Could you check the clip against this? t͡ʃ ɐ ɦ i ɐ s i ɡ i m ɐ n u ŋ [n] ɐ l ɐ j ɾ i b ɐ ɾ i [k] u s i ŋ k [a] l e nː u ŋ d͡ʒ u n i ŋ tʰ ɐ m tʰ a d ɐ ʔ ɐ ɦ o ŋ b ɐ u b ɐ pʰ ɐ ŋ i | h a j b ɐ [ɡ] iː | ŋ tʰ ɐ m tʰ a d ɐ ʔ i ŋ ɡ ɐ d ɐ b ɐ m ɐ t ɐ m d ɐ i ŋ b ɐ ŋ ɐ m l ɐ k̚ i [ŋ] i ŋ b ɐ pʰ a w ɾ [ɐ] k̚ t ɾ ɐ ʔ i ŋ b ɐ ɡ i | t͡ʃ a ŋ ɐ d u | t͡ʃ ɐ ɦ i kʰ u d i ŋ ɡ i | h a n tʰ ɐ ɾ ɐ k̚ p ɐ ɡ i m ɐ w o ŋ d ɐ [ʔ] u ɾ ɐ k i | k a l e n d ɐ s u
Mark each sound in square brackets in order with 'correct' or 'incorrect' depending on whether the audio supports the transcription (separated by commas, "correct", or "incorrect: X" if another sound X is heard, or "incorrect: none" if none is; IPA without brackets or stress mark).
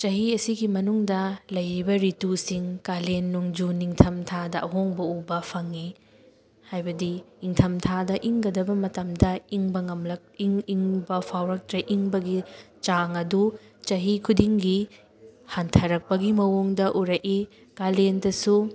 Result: incorrect: d, incorrect: t, correct, incorrect: d, correct, correct, correct